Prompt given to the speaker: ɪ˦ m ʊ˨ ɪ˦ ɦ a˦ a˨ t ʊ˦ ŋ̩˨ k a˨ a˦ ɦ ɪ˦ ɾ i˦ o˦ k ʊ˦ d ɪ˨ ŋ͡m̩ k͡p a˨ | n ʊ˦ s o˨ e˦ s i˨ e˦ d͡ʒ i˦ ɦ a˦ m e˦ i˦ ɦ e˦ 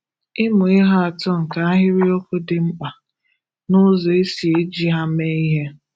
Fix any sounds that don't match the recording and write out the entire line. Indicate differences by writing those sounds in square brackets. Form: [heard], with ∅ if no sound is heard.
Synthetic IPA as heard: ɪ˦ m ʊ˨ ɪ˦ ɦ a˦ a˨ t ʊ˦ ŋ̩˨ k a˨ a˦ ɦ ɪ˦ ɾ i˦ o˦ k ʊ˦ d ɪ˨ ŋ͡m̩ k͡p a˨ | n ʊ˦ [z] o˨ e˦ s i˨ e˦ d͡ʒ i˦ ɦ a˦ m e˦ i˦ ɦ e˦